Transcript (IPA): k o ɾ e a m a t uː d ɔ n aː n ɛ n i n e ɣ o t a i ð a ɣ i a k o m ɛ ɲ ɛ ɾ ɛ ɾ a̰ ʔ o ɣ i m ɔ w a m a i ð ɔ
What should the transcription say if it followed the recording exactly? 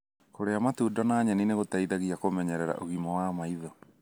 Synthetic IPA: k o ɾ e a m a t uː d ɔ n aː ɲ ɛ n i n e ɣ o t a i ð a ɣ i a k o m ɛ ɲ ɛ ɾ ɛ ɾ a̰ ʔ o ɣ i m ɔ w a m a i ð ɔ